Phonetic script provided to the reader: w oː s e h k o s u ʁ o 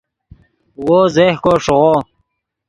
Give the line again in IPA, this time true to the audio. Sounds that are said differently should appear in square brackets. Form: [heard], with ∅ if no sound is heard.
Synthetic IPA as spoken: w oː [z] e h k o [ʂ] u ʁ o